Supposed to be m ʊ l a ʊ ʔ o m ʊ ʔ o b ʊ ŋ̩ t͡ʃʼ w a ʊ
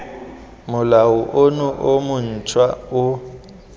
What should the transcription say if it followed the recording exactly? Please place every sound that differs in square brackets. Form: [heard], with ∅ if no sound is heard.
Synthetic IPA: m ʊ l a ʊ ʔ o [n] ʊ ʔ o [m] ʊ [n̩] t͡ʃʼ w a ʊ